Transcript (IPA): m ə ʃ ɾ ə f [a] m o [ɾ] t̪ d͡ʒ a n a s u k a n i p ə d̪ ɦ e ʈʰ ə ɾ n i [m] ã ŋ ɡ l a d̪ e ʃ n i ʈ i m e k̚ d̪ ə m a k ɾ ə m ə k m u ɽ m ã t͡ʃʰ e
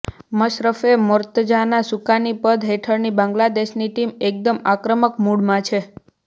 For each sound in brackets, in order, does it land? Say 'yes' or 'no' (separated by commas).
no, yes, no